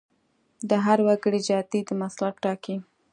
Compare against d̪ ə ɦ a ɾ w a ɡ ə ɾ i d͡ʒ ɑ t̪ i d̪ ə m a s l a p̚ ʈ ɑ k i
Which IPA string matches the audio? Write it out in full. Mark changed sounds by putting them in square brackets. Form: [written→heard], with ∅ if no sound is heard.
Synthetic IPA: d̪ ə ɦ a ɾ w a ɡ ə [ɾ→ɽ] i d͡ʒ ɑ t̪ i d̪ ə m a s l a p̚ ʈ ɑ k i